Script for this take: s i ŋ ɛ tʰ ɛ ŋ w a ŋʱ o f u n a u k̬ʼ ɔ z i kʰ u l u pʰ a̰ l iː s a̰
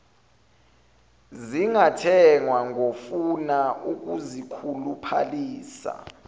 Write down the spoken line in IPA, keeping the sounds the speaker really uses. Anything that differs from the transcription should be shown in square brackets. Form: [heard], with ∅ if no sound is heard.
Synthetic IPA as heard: [z] i ŋ [a] tʰ ɛ ŋ w a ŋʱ o f u n a u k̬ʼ [u] z i kʰ u l u pʰ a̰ l iː s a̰